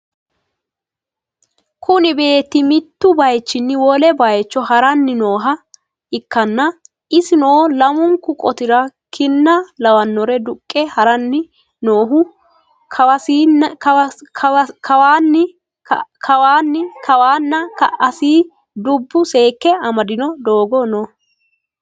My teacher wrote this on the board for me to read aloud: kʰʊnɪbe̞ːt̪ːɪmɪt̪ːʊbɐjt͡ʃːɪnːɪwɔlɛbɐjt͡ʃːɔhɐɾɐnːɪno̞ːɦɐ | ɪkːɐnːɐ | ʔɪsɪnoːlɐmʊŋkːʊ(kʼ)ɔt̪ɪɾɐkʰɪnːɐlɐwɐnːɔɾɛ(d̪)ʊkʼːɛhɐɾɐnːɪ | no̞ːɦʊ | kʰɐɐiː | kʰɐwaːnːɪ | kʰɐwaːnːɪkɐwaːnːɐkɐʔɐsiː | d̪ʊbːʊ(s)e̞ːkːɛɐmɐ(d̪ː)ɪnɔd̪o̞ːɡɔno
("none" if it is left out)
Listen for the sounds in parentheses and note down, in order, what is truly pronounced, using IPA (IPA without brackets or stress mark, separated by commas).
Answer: kʼ, d̪, s, d̪